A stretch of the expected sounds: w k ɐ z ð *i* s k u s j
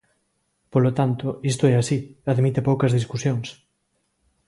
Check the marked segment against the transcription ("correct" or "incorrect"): correct